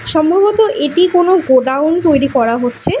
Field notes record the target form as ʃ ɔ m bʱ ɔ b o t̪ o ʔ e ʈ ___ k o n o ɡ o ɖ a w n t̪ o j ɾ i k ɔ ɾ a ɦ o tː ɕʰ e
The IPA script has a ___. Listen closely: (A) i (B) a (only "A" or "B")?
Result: A